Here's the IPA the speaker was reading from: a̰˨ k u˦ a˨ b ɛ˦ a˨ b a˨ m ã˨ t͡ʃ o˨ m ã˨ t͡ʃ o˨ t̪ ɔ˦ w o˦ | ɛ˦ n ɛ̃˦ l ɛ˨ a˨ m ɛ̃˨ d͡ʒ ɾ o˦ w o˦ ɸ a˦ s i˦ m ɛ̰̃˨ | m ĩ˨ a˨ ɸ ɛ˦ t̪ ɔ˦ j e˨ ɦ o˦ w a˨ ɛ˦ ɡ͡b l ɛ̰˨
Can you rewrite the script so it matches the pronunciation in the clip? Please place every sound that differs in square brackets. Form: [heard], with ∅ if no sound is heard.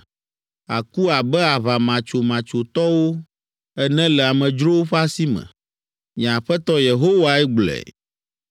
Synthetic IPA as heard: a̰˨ k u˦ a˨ b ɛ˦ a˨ [β] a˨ m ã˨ t͡ʃ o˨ m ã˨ t͡ʃ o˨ t̪ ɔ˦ w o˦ | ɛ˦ n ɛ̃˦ l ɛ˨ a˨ m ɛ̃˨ d͡ʒ ɾ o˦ w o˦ ɸ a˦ s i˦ m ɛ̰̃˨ | m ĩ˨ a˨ ɸ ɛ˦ t̪ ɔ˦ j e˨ ɦ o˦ w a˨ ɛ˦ ɡ͡b l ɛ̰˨

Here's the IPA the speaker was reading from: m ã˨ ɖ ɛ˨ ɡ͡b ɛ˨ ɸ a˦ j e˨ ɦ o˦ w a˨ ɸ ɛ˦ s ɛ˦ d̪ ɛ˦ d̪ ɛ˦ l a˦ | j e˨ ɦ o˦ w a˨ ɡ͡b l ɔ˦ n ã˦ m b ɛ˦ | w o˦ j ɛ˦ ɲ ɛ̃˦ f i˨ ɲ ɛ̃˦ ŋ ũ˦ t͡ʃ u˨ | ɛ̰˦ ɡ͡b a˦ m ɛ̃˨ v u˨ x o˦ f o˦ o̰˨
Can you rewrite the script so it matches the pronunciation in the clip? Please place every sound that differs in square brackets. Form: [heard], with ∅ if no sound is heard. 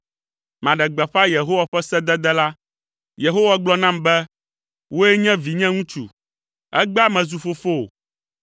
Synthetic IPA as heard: m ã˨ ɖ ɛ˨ ɡ͡b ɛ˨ ɸ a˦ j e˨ ɦ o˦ w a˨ ɸ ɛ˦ s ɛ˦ d̪ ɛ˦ d̪ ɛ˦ l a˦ | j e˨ ɦ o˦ w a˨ ɡ͡b l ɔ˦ n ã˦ m b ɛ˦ | w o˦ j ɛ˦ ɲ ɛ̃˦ [v] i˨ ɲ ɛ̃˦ ŋ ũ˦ t͡ʃ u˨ | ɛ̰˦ ɡ͡b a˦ m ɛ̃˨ [z] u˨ [f] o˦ f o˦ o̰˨

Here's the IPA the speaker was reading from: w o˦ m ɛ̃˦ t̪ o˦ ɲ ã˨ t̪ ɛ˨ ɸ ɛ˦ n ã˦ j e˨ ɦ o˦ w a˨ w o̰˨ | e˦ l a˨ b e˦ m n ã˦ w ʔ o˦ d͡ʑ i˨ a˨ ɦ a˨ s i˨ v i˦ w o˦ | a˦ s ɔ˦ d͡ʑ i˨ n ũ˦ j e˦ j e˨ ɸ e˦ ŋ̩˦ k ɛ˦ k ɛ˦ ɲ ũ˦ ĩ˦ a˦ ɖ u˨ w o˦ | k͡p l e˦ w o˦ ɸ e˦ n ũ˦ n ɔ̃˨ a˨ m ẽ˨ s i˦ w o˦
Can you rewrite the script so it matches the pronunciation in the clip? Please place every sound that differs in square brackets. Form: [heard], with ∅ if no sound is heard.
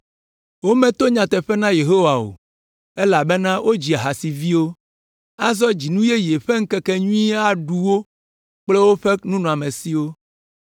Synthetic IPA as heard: w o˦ m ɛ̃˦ t̪ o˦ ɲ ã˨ t̪ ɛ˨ ɸ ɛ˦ n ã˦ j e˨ ɦ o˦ w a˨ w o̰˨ | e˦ l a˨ b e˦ [∅] n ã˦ w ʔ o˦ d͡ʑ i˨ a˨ ɦ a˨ s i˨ v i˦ w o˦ | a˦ [z] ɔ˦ d͡ʑ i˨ n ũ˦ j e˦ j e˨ ɸ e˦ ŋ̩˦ k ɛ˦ k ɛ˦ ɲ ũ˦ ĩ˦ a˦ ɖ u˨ w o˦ | k͡p l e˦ w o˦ ɸ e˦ n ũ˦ n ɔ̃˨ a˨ m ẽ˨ s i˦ w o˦

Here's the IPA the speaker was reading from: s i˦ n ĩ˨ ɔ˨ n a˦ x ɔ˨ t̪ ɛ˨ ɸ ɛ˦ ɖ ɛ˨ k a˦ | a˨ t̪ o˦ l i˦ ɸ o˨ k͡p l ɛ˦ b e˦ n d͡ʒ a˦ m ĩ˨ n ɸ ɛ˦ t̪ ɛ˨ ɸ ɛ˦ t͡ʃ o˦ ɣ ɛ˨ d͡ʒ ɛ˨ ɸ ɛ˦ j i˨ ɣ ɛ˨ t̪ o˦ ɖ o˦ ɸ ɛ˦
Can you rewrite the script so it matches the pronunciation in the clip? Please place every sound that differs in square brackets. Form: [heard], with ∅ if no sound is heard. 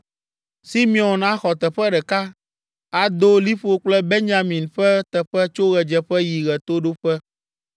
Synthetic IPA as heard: s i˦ [m] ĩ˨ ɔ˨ n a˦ x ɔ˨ t̪ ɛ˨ ɸ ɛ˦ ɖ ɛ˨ k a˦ | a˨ [d̪] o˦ l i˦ ɸ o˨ k͡p l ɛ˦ b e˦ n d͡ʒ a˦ m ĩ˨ n ɸ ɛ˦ t̪ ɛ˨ ɸ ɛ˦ t͡ʃ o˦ ɣ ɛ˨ d͡ʒ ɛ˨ ɸ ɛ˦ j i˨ ɣ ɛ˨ t̪ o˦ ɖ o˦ ɸ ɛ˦

